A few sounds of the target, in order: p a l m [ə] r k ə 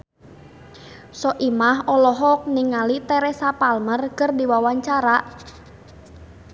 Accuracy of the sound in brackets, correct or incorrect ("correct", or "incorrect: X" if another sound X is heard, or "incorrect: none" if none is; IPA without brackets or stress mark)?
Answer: correct